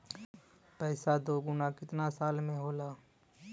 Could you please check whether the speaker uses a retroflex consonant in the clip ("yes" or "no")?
no